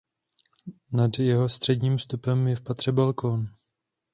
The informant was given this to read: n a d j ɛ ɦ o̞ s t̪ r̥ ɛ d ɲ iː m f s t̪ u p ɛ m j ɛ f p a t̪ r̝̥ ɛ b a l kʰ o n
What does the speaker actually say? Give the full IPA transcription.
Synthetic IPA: n a d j ɛ ɦ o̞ s t̪ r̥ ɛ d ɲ iː m f s t̪ u p ɛ m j ɛ f p a t̪ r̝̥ ɛ b a l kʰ o n